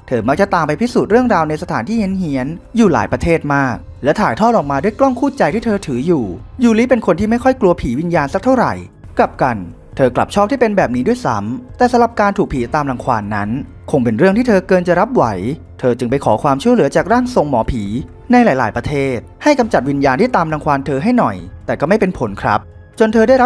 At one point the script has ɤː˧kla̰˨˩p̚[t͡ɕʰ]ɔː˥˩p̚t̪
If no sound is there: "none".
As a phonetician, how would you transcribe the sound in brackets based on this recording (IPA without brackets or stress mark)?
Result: t͡ɕʰ